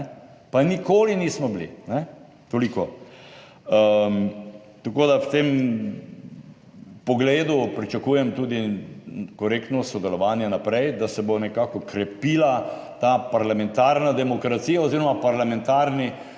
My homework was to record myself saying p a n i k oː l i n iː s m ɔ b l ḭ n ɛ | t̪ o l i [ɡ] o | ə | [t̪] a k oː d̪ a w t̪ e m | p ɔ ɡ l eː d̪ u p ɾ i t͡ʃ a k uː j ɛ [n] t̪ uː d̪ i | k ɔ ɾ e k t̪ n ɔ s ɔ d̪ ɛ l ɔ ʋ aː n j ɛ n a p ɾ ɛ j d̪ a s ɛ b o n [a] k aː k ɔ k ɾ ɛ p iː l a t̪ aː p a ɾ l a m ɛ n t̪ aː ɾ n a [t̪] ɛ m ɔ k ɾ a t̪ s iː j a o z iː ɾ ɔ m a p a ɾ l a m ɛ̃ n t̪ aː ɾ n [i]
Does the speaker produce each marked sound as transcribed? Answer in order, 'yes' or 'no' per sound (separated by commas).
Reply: no, yes, no, no, no, yes